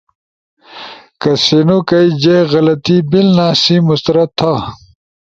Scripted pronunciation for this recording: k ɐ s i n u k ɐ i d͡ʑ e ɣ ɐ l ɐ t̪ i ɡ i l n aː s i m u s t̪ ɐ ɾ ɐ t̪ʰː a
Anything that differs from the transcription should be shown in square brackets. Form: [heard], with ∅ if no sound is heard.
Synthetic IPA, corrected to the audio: k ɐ s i n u k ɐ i d͡ʑ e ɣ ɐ l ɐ t̪ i [b] i l n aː s i m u s t̪ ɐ ɾ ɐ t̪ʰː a

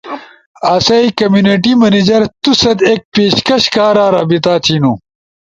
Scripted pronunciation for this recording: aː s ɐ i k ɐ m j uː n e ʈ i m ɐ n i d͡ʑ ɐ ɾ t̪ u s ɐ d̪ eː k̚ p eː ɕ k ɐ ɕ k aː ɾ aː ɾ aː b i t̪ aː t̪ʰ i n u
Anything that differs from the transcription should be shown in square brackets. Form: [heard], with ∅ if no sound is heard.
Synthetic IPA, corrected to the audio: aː s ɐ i k ɐ m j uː n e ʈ i m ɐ n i d͡ʑ ɐ ɾ t̪ u s ɐ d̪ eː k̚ p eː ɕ k ɐ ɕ k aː ɾ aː ɾ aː b i t̪ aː t̪ʰ i n u

